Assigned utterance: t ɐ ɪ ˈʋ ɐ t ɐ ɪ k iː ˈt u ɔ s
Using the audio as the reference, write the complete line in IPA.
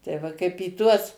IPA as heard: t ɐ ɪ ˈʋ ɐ k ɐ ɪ p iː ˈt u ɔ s